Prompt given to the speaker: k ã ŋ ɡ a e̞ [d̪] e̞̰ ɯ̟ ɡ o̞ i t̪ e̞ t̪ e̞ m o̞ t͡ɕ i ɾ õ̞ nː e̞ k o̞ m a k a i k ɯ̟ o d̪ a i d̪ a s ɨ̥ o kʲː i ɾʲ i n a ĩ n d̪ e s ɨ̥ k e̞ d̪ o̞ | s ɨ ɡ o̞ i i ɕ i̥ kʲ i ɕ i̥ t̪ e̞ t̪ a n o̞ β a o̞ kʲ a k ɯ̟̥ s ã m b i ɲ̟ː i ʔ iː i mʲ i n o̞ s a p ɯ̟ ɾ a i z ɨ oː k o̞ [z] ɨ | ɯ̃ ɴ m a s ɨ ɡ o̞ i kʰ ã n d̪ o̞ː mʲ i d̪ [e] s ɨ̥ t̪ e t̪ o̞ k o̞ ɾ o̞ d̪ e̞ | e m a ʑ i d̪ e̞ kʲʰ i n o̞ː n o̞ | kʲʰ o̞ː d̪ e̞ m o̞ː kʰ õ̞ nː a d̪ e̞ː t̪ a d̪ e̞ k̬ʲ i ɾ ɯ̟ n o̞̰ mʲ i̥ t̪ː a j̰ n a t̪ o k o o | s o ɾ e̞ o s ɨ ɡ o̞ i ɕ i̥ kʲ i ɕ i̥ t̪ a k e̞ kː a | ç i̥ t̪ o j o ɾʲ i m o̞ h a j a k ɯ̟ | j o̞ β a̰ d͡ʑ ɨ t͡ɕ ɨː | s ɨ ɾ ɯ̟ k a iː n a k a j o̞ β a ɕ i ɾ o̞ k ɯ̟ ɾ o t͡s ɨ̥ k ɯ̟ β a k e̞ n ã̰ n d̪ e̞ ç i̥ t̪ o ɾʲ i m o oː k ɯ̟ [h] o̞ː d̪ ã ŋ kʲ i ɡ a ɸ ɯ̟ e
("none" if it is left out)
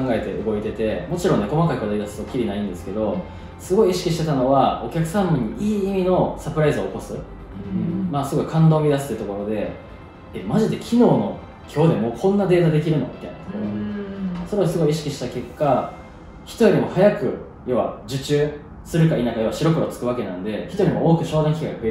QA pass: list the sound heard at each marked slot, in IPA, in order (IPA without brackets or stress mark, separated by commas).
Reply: t̪, s, a, ɕ